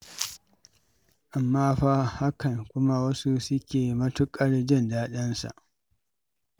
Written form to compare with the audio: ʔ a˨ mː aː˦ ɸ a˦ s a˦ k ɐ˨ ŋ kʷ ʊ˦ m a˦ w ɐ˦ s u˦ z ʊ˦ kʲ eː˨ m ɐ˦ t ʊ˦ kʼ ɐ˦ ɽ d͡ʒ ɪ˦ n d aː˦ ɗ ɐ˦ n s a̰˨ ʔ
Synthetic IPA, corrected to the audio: ʔ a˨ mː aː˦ ɸ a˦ h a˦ k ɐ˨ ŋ kʷ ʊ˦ m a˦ w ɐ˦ s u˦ s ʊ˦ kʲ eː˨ m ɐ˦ t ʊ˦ kʼ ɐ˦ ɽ d͡ʒ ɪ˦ n d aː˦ ɗ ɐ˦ n s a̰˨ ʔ